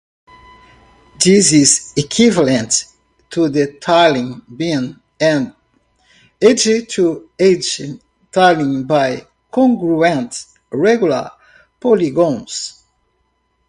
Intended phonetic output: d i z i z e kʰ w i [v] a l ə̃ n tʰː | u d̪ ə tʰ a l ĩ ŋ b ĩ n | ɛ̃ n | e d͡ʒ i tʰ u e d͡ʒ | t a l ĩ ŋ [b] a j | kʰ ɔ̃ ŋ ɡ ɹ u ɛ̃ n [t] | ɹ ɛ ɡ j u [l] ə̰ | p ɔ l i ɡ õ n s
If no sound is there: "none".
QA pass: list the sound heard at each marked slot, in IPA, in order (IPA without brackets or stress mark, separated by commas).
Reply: v, b, t, l